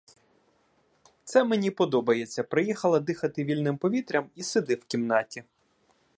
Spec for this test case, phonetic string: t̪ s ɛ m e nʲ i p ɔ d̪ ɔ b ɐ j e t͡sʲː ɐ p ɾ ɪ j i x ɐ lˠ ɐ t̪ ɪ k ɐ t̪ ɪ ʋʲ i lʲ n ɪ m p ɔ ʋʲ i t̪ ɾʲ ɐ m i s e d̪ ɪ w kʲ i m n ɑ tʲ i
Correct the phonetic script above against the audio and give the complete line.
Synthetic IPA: t̪ s ɛ m e nʲ i p ɔ d̪ ɔ b ɐ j e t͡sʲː ɐ p ɾ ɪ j i x ɐ lˠ ɐ d̪ ɪ x ɐ t̪ ɪ ʋʲ i lʲ n ɪ m p ɔ ʋʲ i t̪ ɾʲ ɐ m i s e d̪ ɪ w kʲ i m n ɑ tʲ i